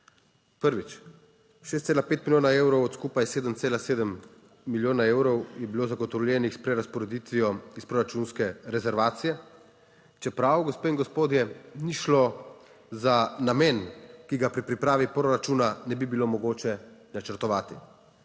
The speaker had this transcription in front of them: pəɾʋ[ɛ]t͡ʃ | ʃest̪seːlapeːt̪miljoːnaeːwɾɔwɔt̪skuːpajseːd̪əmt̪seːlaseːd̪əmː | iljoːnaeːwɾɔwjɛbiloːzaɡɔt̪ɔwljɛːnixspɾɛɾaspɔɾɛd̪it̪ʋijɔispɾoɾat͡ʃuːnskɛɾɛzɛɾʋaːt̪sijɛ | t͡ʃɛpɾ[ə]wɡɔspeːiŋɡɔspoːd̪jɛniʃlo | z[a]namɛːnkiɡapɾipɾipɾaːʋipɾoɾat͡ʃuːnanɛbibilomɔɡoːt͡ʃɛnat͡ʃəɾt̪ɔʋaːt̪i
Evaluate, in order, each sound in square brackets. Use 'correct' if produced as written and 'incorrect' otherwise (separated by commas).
incorrect, incorrect, correct